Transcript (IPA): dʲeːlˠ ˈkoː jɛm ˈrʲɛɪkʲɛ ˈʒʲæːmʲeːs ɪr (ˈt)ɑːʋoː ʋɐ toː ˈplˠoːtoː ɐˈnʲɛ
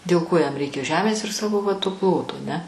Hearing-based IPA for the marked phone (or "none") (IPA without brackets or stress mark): s